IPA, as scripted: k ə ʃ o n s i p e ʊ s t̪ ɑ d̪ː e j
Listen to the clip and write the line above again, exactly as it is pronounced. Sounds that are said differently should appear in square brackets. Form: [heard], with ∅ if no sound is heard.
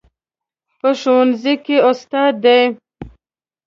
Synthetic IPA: [p] ə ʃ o n [z] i [k] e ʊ s t̪ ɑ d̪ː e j